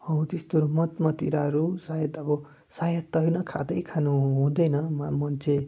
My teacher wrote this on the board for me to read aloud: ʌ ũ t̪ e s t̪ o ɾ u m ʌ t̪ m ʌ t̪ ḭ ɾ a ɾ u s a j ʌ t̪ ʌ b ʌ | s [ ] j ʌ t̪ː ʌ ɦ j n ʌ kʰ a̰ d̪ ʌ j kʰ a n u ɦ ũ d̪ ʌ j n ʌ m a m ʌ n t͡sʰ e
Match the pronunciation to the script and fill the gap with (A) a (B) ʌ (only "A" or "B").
A